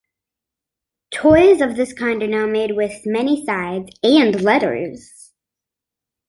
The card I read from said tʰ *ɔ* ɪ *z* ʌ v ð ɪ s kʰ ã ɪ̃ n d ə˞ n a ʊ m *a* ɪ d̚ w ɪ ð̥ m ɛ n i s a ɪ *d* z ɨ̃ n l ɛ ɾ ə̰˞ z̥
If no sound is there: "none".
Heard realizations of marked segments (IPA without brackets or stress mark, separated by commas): ɔ, z, e, d